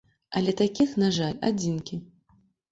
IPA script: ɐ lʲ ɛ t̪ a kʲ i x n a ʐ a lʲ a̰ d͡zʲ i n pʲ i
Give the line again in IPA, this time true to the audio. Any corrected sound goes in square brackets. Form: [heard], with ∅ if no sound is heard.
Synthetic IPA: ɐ lʲ ɛ t̪ a kʲ i x n a ʐ a lʲ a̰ d͡zʲ i n [kʲ] i

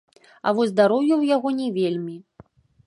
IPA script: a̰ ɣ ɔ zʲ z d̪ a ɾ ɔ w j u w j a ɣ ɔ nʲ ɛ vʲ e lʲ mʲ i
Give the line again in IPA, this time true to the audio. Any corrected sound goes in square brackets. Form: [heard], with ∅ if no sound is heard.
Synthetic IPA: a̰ [v] ɔ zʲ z d̪ a ɾ ɔ w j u w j a ɣ ɔ nʲ ɛ vʲ e lʲ mʲ i

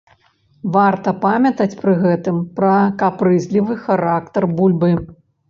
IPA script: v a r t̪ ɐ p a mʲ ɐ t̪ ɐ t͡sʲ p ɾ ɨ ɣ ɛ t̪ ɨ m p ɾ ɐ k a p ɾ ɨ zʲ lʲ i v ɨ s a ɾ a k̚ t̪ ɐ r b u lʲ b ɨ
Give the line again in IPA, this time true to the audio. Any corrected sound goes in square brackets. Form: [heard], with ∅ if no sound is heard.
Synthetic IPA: v a r t̪ ɐ p a mʲ ɐ t̪ ɐ t͡sʲ p ɾ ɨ ɣ ɛ t̪ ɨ m p ɾ ɐ k a p ɾ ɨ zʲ lʲ i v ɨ [x] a ɾ a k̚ t̪ ɐ r b u lʲ b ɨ

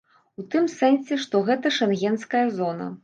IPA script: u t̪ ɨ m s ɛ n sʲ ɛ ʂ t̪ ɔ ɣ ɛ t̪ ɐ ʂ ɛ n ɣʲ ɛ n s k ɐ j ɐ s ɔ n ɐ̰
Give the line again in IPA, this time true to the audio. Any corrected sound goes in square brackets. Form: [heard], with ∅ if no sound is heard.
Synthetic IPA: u t̪ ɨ m s ɛ n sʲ ɛ ʂ t̪ ɔ ɣ ɛ t̪ ɐ ʂ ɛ n ɣʲ ɛ n s k ɐ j ɐ [z] ɔ n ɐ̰

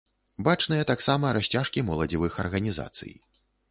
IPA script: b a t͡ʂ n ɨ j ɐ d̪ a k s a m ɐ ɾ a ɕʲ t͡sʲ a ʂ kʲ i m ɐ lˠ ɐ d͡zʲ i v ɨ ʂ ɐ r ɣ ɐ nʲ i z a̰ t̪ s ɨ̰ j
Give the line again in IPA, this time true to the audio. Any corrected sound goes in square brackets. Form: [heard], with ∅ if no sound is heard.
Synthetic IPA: b a t͡ʂ n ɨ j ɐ [t̪] a k s a m ɐ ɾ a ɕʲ t͡sʲ a ʂ kʲ i m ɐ lˠ ɐ d͡zʲ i v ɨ [x] ɐ r ɣ ɐ nʲ i z a̰ t̪ s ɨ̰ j

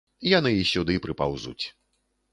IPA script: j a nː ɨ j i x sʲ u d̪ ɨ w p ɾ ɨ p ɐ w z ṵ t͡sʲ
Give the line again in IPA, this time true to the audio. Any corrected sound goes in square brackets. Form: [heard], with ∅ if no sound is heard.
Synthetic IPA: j a [n] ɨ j i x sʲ u d̪ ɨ [∅] p ɾ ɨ p [a] w z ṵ t͡sʲ

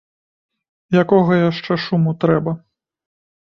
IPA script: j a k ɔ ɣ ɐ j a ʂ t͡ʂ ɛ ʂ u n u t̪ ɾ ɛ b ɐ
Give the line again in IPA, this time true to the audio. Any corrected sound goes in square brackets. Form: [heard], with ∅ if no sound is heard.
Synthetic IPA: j a k ɔ ɣ ɐ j a ʂ t͡ʂ ɛ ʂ u [m] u t̪ ɾ ɛ b ɐ

